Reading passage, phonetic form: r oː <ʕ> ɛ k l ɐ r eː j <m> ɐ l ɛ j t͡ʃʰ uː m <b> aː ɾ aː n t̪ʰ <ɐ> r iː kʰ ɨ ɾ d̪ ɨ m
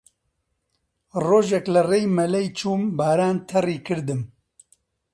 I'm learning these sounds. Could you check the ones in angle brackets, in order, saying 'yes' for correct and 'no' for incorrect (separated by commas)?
no, yes, yes, yes